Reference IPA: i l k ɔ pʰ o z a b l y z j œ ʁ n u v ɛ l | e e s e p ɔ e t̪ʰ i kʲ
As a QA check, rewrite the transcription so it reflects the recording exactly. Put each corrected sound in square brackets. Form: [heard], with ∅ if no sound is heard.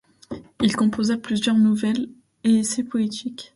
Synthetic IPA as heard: i l k [ɔ̃] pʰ o z a [p] l y z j œ ʁ n u v ɛ l | e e s e p ɔ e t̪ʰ i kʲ